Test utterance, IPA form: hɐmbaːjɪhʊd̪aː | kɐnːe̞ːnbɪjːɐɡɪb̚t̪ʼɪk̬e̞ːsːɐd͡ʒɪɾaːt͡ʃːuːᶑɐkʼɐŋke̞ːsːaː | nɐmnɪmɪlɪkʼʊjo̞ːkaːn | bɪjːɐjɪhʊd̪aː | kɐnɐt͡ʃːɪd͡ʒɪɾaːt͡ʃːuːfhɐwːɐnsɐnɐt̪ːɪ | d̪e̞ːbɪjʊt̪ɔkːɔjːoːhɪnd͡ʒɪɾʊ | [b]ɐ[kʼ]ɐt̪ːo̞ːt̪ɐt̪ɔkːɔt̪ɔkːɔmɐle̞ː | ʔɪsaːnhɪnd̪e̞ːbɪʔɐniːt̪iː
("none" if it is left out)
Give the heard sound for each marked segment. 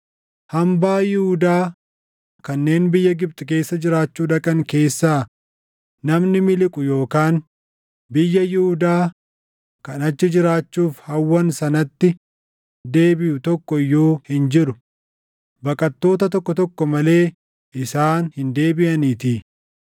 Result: b, kʼ

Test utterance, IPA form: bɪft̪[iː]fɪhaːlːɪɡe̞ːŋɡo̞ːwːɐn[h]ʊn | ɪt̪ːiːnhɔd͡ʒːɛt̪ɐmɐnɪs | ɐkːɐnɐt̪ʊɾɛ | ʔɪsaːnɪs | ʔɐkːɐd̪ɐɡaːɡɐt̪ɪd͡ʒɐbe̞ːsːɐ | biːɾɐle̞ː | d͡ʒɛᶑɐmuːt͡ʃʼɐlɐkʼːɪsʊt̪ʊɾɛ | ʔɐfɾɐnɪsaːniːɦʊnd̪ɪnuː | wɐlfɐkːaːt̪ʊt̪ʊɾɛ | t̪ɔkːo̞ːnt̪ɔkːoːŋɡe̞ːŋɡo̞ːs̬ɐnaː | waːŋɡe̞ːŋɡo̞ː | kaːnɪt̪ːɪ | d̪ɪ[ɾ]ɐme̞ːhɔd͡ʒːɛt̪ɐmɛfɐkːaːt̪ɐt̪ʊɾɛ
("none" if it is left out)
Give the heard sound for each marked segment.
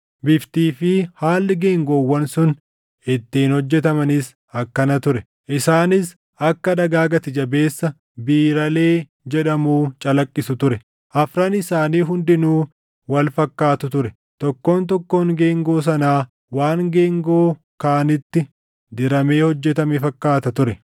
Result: iː, s, ɾ

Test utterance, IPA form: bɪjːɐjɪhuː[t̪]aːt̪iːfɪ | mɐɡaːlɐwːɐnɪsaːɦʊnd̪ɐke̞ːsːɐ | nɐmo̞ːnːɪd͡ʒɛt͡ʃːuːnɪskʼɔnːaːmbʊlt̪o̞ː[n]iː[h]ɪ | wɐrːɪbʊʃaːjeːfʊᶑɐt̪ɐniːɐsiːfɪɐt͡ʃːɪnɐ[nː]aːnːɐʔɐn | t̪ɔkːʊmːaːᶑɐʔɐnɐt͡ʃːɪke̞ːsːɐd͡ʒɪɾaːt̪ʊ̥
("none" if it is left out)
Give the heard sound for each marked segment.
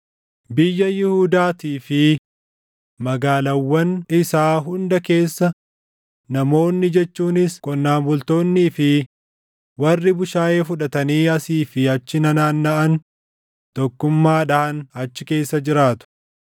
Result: d̪, nː, f, n

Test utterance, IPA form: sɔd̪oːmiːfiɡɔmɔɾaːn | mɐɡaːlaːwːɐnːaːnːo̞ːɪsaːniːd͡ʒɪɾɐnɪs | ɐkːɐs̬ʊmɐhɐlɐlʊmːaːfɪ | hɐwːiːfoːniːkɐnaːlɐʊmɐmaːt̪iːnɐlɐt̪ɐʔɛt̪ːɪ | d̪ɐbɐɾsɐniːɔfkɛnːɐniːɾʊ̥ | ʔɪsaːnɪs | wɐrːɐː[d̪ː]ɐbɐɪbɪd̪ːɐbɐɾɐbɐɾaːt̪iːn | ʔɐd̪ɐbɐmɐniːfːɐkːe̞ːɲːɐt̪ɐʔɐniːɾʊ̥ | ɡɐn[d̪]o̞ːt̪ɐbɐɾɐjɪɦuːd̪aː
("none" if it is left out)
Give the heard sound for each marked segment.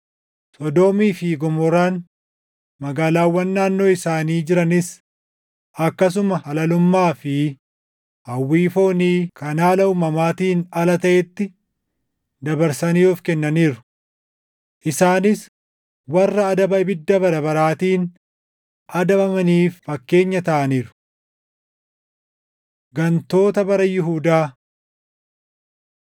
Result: d̪, t̪

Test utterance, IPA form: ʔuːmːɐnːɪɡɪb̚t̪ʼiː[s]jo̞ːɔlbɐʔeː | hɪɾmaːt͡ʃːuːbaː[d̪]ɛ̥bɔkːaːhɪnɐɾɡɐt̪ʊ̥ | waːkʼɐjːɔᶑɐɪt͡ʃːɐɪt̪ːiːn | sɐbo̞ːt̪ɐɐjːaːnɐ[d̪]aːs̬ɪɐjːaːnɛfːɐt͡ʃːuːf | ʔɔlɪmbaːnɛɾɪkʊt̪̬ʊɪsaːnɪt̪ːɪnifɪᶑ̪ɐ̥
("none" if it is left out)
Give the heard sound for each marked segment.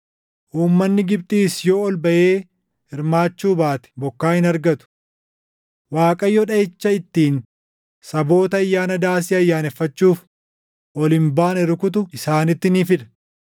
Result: s, t̪, d̪

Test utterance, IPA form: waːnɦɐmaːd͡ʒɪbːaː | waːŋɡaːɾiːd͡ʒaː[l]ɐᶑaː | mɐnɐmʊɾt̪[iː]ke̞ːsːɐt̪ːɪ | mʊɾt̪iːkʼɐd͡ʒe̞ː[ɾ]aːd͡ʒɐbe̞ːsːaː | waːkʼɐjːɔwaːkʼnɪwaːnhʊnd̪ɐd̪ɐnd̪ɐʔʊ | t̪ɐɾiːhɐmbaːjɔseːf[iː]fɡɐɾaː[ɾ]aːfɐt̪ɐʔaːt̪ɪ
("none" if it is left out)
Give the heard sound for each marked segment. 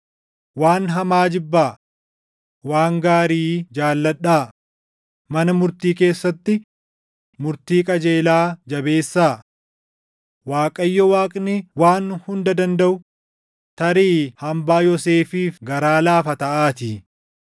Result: lː, iː, l, iː, l

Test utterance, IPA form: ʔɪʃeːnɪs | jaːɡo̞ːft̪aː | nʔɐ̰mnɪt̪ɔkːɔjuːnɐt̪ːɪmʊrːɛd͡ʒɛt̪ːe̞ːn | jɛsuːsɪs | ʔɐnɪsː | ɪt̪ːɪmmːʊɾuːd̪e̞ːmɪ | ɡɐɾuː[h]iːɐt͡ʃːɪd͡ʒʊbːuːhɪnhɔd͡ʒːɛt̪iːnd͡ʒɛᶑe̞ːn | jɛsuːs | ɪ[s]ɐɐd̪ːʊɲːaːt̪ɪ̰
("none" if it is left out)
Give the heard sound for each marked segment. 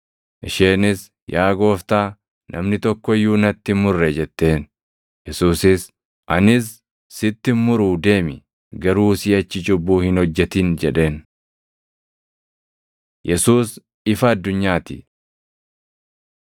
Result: s, f

